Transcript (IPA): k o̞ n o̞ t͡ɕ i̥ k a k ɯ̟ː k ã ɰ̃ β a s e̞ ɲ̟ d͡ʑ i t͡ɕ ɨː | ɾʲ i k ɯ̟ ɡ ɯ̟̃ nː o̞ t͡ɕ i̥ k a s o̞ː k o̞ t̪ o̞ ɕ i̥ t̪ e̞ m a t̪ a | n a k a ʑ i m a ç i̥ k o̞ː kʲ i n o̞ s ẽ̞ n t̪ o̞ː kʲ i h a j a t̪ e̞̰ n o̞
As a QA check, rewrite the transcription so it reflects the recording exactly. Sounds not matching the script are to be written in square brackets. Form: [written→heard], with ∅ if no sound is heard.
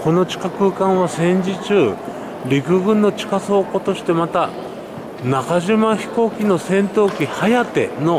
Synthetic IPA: k o̞ n o̞ t͡ɕ i̥ k a k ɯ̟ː k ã ɰ̃ β a s [e̞→ẽ̞] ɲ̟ d͡ʑ i t͡ɕ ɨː | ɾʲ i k ɯ̟ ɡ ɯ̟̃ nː o̞ t͡ɕ i̥ k a s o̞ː k o̞ t̪ o̞ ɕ i̥ t̪ e̞ m a t̪ a | n a k a ʑ i m a ç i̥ k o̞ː kʲ i n o̞ s ẽ̞ n t̪ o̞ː kʲ i h a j a t̪ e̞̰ n o̞